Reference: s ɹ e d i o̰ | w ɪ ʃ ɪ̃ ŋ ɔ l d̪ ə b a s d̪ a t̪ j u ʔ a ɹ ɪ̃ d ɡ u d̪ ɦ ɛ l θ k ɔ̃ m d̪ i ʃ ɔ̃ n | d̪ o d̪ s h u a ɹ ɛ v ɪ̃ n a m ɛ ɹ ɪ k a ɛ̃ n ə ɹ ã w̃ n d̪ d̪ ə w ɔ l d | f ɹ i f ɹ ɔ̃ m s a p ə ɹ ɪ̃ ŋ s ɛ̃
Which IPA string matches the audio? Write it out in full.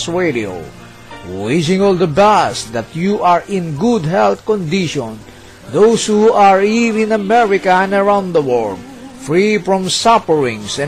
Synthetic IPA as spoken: s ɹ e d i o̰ | w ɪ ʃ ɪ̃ ŋ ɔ l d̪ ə b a s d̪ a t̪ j u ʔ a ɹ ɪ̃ n ɡ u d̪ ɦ ɛ l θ k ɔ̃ n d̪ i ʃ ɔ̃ n | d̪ o s h u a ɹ i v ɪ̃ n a m ɛ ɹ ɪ k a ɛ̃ n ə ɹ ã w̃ n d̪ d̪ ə w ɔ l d | f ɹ i f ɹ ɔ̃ m s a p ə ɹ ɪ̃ ŋ s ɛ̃